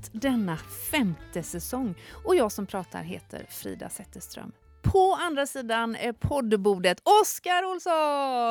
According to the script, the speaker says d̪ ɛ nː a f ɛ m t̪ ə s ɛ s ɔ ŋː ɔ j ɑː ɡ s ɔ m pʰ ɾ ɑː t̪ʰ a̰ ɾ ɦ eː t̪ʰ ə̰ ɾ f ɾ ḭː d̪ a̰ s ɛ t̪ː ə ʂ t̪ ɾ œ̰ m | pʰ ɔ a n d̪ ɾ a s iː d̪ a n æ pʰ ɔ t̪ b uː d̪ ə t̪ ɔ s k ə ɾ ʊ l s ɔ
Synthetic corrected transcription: d̪ ɛ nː a f ɛ m t̪ ə s ɛ s ɔ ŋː ɔ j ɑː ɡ s ɔ m pʰ ɾ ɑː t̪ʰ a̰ ɾ ɦ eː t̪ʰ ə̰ ɾ f ɾ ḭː d̪ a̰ s ɛ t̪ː ə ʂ t̪ ɾ œ̰ m | pʰ ɔ a n d̪ ɾ a s iː d̪ a n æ pʰ ɔ d̪ b uː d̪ ə t̪ ɔ s k a ɾ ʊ l s ɔ